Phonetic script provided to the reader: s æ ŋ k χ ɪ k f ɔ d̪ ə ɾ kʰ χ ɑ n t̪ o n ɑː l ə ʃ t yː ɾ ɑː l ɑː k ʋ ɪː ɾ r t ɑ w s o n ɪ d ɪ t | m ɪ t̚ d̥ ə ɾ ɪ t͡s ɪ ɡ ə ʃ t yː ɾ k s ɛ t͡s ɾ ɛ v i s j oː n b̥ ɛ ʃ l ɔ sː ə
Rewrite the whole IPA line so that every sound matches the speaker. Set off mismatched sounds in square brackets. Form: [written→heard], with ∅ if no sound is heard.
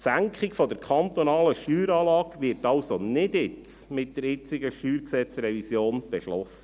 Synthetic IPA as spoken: s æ ŋ k χ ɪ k f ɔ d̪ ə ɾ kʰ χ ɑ n t̪ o n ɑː l ə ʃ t yː ɾ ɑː l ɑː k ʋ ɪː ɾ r t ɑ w s o n ɪ d ɪ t | m ɪ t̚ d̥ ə ɾ ɪ t͡s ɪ ɡ ə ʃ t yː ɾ k s ɛ t͡s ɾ ɛ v i s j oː n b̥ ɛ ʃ l ɔ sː ə